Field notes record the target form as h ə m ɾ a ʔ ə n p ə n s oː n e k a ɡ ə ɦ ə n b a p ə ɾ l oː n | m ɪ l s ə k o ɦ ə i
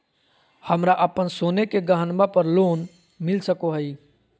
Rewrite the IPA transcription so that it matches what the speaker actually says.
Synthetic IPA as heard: h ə m ɾ a ʔ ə p ə n s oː n e k e ɡ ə ɦ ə n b a p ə ɾ l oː n | m ɪ l s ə k o ɦ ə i